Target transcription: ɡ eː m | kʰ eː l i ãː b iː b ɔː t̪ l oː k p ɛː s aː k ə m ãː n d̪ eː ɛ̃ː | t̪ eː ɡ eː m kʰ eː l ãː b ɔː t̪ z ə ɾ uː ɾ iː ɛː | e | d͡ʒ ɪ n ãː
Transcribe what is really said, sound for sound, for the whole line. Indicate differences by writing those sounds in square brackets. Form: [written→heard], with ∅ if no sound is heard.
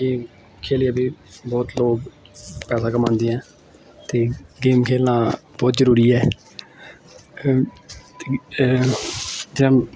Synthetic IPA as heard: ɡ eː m | kʰ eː l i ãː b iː b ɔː t̪ l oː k p ɛː s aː k ə m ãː n d̪ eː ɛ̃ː | t̪ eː ɡ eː m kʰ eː l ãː b ɔː t̪ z ə ɾ uː ɾ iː ɛː | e | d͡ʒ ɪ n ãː